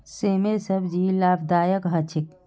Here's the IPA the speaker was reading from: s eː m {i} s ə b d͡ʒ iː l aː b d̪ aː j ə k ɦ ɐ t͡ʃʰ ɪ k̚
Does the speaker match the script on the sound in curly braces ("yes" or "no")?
no